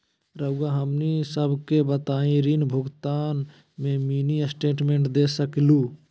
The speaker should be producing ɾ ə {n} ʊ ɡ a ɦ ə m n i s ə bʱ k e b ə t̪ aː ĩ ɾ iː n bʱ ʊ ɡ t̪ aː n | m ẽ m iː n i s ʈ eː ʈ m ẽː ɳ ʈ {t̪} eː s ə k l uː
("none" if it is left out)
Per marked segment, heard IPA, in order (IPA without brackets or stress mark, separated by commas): none, d̪